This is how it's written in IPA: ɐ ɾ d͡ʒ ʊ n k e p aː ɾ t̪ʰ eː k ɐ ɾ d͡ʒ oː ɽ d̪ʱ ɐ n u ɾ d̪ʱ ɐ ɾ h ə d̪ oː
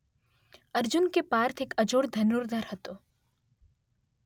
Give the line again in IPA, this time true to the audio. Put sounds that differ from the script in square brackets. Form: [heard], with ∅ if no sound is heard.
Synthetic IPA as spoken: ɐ ɾ d͡ʒ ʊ n k e p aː ɾ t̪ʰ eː k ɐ [∅] d͡ʒ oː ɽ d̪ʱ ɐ n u ɾ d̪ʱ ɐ ɾ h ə [t̪] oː